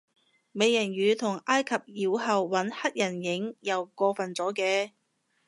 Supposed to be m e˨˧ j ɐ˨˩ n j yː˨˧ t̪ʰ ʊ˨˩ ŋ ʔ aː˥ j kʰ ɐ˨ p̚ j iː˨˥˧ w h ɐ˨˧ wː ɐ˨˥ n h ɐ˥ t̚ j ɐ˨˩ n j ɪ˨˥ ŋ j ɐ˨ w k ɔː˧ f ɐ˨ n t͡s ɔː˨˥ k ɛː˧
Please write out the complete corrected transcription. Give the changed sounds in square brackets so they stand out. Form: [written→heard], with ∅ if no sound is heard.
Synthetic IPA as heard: m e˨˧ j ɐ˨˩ n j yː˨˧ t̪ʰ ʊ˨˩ ŋ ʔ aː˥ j kʰ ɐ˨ p̚ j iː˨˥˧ w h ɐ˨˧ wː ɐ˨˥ n h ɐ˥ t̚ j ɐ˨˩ n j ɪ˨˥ ŋ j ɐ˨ w k ɔː˧ f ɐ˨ n t͡s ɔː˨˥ k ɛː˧